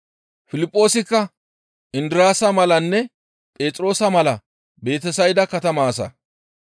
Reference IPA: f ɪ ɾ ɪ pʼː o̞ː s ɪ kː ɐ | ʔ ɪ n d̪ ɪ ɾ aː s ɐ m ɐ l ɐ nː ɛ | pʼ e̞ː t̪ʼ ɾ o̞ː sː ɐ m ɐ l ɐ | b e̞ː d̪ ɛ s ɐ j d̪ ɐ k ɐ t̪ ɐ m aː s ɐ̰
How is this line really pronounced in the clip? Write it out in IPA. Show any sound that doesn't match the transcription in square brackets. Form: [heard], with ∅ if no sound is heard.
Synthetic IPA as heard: f ɪ [l] ɪ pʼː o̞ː s ɪ kː ɐ | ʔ ɪ n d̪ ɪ ɾ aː s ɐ m ɐ l ɐ nː ɛ | pʼ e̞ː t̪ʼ ɾ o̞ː [s] ɐ m ɐ l ɐ | b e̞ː [t̪] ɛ s ɐ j d̪ ɐ k ɐ t̪ ɐ m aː s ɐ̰